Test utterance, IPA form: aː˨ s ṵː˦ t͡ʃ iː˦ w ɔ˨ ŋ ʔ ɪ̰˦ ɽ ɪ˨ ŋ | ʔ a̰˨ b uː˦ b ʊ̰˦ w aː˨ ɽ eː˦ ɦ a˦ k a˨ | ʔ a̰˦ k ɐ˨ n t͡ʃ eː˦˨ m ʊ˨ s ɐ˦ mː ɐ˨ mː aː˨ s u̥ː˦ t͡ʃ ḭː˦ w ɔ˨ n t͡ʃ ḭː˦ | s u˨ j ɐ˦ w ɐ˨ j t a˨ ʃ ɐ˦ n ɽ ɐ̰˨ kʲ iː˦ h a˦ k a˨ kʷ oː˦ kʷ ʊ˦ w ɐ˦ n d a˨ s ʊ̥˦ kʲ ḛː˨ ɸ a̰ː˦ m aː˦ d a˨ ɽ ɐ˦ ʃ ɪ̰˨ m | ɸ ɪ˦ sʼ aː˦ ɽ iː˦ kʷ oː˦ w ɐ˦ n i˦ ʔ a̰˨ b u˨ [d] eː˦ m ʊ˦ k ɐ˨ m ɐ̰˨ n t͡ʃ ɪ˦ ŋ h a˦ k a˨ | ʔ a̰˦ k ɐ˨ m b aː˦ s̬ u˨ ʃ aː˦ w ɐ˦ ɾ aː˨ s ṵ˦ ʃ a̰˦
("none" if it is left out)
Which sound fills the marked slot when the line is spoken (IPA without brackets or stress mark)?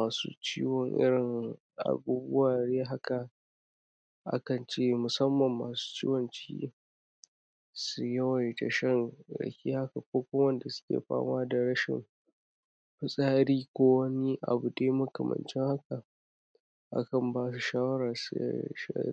d